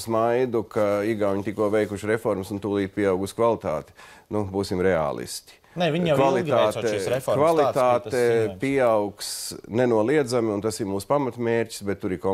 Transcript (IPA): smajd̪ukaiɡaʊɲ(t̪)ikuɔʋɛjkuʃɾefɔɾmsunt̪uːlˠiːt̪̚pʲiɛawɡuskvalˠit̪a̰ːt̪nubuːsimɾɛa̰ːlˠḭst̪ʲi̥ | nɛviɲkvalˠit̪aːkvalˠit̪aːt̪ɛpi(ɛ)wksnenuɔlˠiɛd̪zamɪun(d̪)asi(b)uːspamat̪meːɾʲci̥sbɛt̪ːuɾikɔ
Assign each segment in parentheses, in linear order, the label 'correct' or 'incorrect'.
correct, incorrect: a, incorrect: t̪, incorrect: m

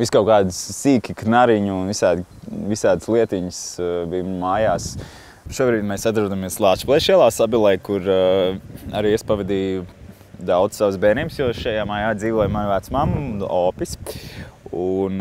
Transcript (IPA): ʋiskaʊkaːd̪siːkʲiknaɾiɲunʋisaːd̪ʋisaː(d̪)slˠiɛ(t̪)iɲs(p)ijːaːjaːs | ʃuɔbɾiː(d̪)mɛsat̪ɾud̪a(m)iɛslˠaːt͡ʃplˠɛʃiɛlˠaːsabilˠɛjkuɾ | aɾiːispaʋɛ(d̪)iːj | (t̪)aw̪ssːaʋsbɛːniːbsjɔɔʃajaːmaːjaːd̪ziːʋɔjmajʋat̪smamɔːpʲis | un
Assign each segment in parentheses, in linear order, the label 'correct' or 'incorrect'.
correct, correct, incorrect: b, correct, correct, correct, incorrect: d̪

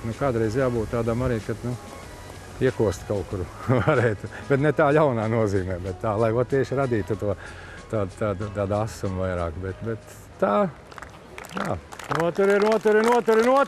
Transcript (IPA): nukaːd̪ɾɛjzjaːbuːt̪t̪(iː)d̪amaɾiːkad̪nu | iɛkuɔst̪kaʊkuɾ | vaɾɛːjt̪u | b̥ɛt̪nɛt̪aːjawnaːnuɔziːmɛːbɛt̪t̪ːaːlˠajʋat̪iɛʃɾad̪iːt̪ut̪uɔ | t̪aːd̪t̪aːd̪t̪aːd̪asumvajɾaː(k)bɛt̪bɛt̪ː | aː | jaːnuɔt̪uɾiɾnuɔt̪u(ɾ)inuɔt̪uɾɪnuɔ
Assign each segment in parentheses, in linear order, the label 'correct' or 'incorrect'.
incorrect: aː, correct, correct

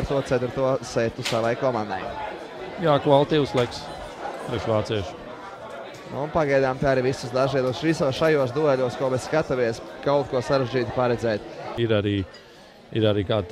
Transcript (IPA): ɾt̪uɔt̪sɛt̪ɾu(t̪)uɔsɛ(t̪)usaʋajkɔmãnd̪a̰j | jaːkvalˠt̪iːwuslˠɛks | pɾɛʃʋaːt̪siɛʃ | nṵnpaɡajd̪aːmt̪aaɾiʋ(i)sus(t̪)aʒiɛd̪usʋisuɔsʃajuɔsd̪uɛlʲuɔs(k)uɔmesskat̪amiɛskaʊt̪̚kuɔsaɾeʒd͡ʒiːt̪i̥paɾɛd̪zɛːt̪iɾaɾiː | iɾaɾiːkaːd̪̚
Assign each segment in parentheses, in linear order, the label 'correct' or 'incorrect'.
correct, correct, correct, incorrect: d̪, correct

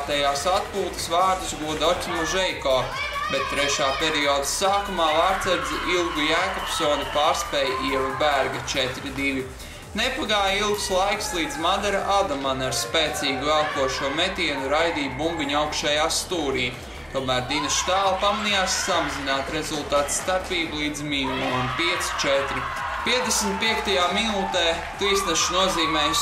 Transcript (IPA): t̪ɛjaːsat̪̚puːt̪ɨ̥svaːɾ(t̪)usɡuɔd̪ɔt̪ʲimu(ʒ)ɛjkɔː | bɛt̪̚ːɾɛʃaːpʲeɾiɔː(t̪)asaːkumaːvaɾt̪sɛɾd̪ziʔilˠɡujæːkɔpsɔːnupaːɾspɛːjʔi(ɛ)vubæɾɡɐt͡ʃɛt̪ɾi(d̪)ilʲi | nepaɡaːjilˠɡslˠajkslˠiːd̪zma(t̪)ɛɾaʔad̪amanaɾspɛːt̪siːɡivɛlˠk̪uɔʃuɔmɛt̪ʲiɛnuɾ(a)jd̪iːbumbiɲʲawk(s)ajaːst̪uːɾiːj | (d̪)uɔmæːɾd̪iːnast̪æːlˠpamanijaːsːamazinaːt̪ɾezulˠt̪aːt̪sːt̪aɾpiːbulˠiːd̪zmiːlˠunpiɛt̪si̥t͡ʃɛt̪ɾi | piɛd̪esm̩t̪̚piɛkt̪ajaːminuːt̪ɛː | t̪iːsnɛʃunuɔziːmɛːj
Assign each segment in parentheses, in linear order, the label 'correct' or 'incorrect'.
incorrect: d̪, correct, incorrect: d̪, correct, correct, incorrect: d̪, correct, incorrect: ʃ, incorrect: t̪

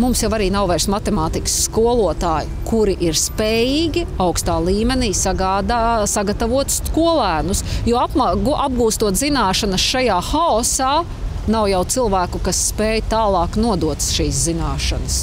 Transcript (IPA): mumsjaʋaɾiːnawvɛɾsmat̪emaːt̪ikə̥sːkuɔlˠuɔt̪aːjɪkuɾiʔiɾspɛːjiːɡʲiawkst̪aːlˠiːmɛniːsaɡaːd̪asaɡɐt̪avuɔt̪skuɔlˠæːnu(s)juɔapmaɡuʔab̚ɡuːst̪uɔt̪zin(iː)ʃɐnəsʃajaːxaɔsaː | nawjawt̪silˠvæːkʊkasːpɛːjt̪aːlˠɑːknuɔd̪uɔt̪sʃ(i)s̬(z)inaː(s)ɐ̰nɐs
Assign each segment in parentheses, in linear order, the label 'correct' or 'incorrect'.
correct, incorrect: aː, incorrect: iː, correct, incorrect: ʃ

